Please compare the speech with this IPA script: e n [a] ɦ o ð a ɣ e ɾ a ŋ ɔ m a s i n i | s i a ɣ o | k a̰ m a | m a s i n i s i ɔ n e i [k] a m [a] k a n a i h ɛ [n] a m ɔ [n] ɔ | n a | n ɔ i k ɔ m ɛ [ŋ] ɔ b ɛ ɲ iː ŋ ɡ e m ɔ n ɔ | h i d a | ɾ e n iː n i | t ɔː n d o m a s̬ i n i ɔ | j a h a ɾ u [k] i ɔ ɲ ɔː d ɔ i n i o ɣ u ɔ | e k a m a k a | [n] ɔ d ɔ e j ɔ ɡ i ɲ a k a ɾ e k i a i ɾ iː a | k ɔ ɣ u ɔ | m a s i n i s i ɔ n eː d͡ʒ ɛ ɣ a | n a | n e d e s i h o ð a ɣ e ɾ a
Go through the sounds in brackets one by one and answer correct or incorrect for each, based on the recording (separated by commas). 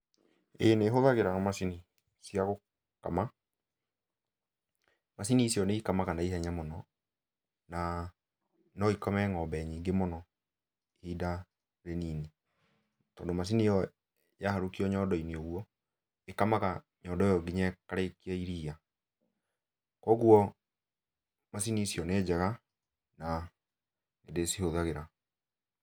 incorrect, correct, correct, incorrect, correct, correct, correct, incorrect